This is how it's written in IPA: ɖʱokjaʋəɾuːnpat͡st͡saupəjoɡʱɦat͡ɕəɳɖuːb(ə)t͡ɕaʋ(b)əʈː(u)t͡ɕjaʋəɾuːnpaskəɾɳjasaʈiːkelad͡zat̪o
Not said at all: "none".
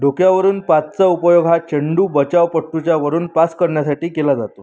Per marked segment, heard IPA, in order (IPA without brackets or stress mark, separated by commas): ə, p, u